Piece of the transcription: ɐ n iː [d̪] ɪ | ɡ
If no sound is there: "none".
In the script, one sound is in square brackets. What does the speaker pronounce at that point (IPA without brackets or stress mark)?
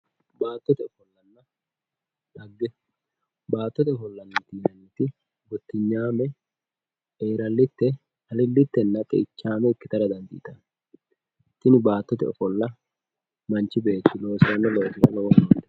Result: t̪